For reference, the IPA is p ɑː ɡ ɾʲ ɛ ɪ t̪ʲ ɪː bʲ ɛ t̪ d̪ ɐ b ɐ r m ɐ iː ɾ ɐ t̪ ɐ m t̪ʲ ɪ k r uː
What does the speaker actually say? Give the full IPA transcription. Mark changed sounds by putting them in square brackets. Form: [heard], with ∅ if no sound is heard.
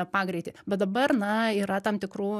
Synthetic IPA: p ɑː ɡ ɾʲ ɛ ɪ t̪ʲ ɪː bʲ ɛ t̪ d̪ ɐ b ɐ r [n] ɐ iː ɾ ɐ t̪ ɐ m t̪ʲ ɪ k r uː